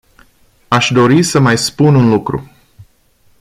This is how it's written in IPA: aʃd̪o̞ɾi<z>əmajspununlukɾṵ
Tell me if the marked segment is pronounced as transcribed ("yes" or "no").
no